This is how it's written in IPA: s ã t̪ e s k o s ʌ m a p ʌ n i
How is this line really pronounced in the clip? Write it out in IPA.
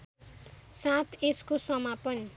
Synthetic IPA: s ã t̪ e s k o s ʌ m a p ʌ n i